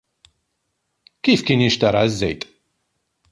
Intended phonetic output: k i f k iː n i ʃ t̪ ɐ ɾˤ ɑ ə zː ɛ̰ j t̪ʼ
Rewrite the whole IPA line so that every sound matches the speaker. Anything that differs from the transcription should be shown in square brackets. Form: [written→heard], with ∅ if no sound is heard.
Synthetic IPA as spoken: k i f k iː n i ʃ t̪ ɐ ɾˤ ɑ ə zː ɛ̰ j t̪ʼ

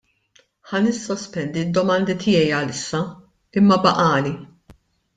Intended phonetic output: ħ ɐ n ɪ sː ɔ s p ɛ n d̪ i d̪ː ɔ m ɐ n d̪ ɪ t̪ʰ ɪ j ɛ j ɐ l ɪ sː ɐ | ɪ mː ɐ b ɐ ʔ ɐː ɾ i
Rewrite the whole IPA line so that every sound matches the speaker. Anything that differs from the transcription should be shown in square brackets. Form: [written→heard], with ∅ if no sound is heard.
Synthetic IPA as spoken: ħ ɐ n ɪ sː ɔ s p ɛ n d̪ i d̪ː ɔ m ɐ n d̪ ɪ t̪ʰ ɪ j ɛ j ɐ l ɪ sː ɐ | ɪ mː ɐ b ɐ ʔ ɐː [ɾ→l] i

